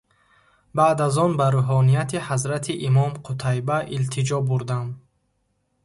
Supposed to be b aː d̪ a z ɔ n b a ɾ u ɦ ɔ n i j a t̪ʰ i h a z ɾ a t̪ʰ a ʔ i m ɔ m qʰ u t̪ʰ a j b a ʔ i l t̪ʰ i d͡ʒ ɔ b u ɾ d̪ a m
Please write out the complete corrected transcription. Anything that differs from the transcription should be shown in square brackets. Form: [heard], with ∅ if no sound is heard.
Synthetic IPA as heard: b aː d̪ a z ɔ n b a ɾ u ɦ ɔ n i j a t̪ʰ i h a z ɾ a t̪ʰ [i] ʔ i m ɔ m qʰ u t̪ʰ a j b a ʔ i l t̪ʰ i d͡ʒ ɔ b u ɾ d̪ a m